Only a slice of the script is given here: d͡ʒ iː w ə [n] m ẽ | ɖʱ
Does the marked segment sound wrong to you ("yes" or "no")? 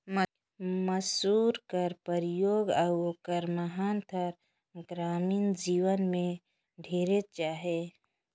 no